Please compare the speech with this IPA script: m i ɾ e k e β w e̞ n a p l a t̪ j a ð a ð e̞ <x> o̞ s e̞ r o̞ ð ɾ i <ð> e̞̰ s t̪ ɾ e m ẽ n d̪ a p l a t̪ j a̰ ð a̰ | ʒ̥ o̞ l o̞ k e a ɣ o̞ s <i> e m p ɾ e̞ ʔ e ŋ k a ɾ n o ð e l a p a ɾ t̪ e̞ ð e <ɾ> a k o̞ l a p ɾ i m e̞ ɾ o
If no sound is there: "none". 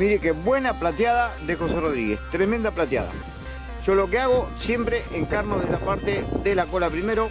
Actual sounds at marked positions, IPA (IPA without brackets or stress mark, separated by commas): x, ɣ, j, l